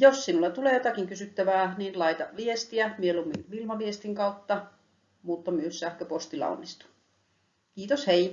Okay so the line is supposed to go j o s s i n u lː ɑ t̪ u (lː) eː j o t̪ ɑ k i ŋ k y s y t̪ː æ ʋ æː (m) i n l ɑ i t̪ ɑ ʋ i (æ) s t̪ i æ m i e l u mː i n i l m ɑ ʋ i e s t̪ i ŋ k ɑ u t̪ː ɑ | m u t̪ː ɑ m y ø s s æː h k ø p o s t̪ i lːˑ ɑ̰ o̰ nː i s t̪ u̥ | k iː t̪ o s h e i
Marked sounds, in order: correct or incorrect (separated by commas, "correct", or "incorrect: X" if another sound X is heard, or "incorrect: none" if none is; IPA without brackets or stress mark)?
incorrect: l, incorrect: n, incorrect: e